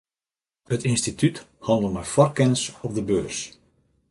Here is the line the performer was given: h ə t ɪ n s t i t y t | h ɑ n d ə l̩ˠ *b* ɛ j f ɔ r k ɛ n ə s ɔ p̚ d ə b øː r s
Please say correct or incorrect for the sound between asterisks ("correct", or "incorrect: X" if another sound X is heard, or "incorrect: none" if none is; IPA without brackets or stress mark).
incorrect: m